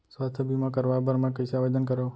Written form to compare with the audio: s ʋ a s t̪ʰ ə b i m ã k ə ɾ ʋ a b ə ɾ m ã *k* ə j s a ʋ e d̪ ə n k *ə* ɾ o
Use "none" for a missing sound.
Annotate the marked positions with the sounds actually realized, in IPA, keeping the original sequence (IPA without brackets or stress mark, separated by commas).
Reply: k, ə